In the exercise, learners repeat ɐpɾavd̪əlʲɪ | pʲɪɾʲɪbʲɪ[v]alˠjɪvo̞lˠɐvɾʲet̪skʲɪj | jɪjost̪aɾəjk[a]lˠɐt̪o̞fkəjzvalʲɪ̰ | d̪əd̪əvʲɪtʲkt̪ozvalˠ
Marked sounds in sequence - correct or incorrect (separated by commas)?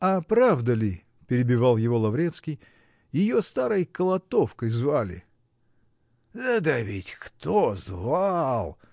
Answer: correct, incorrect